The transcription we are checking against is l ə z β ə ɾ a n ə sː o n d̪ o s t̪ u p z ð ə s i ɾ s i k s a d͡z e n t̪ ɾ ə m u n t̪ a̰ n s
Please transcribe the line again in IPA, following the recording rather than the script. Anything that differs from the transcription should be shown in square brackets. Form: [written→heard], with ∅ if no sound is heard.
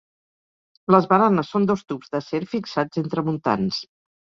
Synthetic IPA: l ə z β ə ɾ a n ə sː o n d̪ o s t̪ u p z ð ə s [i→e] ɾ [s→f] i k s a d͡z e n t̪ ɾ ə m u n t̪ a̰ n s